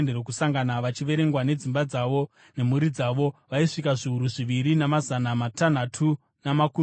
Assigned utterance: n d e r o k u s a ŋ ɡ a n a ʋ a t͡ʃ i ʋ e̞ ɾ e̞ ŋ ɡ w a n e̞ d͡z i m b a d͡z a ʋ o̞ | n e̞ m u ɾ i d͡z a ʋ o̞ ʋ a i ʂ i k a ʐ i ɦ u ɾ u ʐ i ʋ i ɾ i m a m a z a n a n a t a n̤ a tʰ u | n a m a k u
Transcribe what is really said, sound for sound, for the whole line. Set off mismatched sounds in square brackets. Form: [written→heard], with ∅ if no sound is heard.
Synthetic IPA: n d e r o k u s a ŋ ɡ a n a ʋ a t͡ʃ i ʋ e̞ ɾ e̞ ŋ ɡ w a n e̞ d͡z i m b a d͡z a ʋ o̞ | n e̞ m u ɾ i d͡z a ʋ o̞ ʋ a i ʂ i k a ʐ i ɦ u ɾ u ʐ i ʋ i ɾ i [m→n] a m a z a n a [n→m] a t a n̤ a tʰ u | n a m a k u

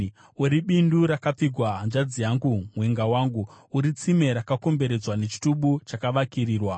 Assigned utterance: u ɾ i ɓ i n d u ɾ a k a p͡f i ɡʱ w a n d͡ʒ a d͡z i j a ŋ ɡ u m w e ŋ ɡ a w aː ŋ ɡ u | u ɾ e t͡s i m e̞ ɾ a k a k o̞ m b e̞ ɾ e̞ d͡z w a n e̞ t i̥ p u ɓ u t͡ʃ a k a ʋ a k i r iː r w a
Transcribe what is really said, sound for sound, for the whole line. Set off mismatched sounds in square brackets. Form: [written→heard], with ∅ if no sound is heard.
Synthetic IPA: u ɾ i ɓ i n d u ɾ a k a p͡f i ɡʱ w a n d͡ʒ a d͡z i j a ŋ ɡ u m w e ŋ ɡ a w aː ŋ ɡ u | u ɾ [e→i] t͡s i m e̞ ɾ a k a k o̞ m b e̞ ɾ e̞ d͡z w a n e̞ [t→t͡ʃ] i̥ [p→t] u ɓ u t͡ʃ a k a ʋ a k i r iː r w a

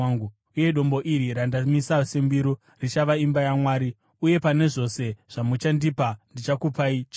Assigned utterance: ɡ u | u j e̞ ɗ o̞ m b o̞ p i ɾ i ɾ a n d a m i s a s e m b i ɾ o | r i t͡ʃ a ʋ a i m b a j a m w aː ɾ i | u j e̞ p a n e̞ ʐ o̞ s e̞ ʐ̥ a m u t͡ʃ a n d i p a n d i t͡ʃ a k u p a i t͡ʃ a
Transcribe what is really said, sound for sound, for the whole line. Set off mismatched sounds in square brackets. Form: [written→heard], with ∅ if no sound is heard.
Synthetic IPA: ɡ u | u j e̞ ɗ o̞ m b o̞ [p→ʔ] i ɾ i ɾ a n d a m i s a s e m b i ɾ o | r i t͡ʃ a ʋ a i m b a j a m w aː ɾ i | u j e̞ p a n e̞ ʐ o̞ s e̞ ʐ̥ a m u t͡ʃ a n d i p a n d i t͡ʃ a k u p a i t͡ʃ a

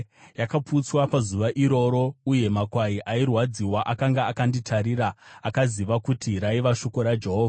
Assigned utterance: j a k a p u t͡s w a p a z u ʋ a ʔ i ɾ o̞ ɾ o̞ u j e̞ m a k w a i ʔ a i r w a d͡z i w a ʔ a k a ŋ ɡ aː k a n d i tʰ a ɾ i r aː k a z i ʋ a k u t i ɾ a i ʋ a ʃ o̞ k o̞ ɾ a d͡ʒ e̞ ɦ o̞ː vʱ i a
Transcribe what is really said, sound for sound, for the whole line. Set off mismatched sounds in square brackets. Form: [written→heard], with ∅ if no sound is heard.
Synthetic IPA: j a k a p u t͡s w a p a z u ʋ a ʔ i ɾ o̞ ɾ o̞ u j e̞ m a k w a i ʔ a i r w a d͡z i w a ʔ a k a ŋ ɡ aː k a n d i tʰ a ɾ i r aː k a z i ʋ a k u t i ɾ a i ʋ a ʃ o̞ k o̞ ɾ a d͡ʒ e̞ ɦ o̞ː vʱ [i→a] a

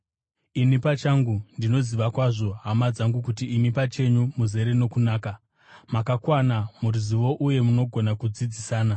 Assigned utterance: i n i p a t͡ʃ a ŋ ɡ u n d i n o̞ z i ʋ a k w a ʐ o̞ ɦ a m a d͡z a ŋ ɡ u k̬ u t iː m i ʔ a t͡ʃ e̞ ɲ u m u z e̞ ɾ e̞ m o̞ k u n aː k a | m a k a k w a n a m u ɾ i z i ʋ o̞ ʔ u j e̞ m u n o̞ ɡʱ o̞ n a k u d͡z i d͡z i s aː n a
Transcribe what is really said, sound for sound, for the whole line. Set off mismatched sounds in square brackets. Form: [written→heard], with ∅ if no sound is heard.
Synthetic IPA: i n i p a t͡ʃ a ŋ ɡ u n d i n o̞ z i ʋ a k w a ʐ o̞ ɦ a m a d͡z a ŋ ɡ u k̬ u t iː m i [ʔ→p] a t͡ʃ e̞ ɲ u m u z e̞ ɾ e̞ [m→n] o̞ k u n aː k a | m a k a k w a n a m u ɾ i z i ʋ o̞ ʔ u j e̞ m u n o̞ ɡʱ o̞ n a k u d͡z i d͡z i s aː n a

